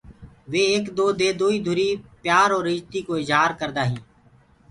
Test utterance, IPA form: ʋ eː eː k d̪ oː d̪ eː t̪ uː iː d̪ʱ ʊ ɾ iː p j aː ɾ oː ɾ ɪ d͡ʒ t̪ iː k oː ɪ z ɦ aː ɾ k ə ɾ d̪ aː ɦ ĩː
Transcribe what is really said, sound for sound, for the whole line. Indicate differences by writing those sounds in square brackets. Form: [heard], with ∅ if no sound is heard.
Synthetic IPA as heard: ʋ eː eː k d̪ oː d̪ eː [d̪] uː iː d̪ʱ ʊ ɾ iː p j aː ɾ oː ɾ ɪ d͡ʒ t̪ iː k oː ɪ z ɦ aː ɾ k ə ɾ d̪ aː ɦ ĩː